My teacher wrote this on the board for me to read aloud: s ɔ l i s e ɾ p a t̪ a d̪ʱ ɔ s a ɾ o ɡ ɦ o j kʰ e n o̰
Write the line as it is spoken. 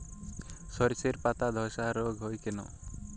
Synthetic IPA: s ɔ ɾ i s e ɾ p a t̪ a d̪ʱ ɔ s a ɾ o ɡ ɦ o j k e n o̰